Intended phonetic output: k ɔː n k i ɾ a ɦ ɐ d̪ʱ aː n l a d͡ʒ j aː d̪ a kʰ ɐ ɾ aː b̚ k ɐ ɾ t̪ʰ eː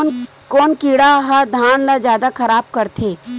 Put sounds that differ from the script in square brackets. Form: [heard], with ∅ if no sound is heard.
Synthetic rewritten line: k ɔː n k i [ɽ] a ɦ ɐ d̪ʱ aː n l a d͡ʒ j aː d̪ a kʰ ɐ ɾ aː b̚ k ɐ ɾ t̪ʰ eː